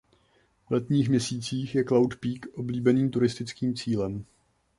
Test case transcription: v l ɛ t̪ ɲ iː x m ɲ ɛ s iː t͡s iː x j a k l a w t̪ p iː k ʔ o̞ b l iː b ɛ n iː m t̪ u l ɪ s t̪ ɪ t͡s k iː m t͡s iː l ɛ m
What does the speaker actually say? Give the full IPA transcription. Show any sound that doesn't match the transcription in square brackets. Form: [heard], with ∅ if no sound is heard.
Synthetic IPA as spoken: v l ɛ t̪ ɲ iː x m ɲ ɛ s iː t͡s iː x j [ɛ] k l a w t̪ p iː k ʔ o̞ b l iː b ɛ n iː m t̪ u [ɾ] ɪ s t̪ ɪ t͡s k iː m t͡s iː l ɛ m